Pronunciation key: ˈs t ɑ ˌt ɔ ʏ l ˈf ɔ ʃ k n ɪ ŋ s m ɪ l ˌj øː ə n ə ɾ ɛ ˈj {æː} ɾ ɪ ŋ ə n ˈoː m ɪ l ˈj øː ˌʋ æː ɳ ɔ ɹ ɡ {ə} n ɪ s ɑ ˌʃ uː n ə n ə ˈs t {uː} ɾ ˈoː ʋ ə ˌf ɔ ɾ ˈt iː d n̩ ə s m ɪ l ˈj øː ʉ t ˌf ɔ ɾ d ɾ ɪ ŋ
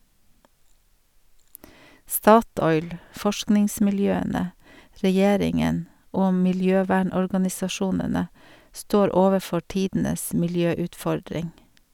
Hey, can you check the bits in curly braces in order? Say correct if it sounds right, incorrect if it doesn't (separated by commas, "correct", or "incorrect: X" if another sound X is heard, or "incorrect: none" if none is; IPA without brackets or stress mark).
incorrect: eː, incorrect: ɑ, incorrect: oː